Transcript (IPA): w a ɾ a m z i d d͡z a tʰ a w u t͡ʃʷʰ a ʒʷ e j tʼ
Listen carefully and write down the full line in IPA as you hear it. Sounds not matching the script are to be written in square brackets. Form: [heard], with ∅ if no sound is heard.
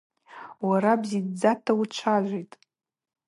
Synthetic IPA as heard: w a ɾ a [b] z i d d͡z a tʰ a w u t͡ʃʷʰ a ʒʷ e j tʼ